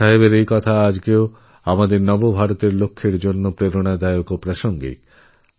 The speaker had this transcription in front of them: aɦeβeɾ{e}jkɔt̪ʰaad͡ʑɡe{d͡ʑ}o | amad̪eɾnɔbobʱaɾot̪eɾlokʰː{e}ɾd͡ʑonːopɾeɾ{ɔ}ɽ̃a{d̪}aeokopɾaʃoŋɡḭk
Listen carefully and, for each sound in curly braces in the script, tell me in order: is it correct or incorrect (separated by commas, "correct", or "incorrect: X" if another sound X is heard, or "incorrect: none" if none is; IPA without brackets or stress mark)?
correct, incorrect: none, correct, incorrect: o, correct